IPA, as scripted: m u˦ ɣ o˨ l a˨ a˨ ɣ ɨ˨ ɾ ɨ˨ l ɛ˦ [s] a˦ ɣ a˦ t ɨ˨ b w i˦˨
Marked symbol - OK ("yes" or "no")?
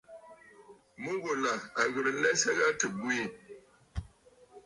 yes